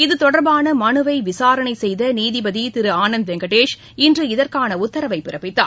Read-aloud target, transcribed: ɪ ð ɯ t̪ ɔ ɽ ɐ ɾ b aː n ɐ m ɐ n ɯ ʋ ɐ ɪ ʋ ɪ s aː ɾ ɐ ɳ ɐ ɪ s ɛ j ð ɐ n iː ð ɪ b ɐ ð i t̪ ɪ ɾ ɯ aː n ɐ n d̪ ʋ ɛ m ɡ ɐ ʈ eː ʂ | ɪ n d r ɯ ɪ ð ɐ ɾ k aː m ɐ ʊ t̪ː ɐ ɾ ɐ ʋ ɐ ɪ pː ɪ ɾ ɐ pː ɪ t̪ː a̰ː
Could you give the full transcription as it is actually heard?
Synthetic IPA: ɪ ð ɯ t̪ ɔ ɽ ɐ ɾ b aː n ɐ m ɐ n ɯ ʋ ɐ ɪ ʋ ɪ s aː ɾ ɐ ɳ ɐ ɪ s ɛ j ð ɐ n iː ð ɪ b ɐ ð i t̪ ɪ ɾ ɯ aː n ɐ n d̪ ʋ ɛ ŋ ɡ ɐ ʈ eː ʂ | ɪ n d r ɯ ɪ ð ɐ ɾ k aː n ɐ ʊ t̪ː ɐ ɾ ɐ ʋ ɐ ɪ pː ɪ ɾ ɐ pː ɪ t̪ː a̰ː